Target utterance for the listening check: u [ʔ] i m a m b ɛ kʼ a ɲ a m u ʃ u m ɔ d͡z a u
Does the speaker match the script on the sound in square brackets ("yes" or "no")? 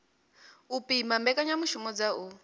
no